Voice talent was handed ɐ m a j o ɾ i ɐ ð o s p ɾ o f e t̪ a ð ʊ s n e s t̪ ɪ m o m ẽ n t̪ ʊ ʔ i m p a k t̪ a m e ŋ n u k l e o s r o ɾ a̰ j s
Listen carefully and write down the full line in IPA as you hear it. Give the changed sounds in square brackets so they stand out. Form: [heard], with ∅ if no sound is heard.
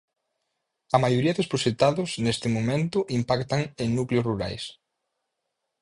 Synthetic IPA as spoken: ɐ m a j o ɾ i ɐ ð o s p ɾ o [ʃ] e t̪ a ð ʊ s n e s t̪ ɪ m o m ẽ n t̪ ʊ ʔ i m p a k t̪ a [ŋ] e ŋ n u k l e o s r [u] ɾ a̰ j s